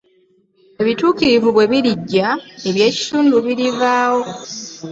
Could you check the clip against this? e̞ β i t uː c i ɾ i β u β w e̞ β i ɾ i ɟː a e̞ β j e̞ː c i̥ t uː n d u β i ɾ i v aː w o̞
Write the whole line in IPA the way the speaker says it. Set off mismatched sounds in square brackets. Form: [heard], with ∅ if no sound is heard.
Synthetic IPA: e̞ β i t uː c i ɾ i [v] u β w e̞ β i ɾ i ɟː a e̞ β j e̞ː c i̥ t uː n d u β i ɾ i v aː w o̞